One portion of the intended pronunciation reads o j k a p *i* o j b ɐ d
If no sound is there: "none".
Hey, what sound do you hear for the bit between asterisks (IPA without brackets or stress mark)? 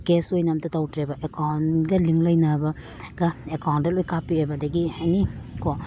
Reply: i